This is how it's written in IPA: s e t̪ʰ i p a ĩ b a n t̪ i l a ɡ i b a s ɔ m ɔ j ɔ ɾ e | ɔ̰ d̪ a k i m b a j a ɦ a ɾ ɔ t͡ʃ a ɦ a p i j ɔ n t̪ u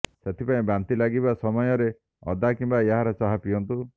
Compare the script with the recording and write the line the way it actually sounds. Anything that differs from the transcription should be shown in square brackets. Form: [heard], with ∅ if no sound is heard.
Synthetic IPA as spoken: s e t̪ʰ i p a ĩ b a n t̪ i l a ɡ i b a s ɔ m ɔ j ɔ ɾ e | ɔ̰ d̪ a k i m b a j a ɦ a ɾ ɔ t͡ʃ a ɦ a p i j ɔ n t̪ u